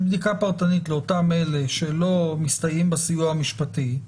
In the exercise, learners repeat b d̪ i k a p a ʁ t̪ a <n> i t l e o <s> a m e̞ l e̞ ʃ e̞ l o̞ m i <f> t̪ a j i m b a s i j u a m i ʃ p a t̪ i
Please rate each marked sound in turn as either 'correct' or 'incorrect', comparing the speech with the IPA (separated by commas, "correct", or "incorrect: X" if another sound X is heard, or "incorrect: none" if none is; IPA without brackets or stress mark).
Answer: correct, incorrect: t, incorrect: s